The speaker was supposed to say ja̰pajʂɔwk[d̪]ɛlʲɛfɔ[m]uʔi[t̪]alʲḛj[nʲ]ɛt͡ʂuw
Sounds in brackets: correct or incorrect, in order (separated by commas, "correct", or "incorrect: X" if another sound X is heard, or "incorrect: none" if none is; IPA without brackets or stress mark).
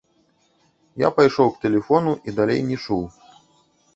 incorrect: t̪, incorrect: n, incorrect: d̪, correct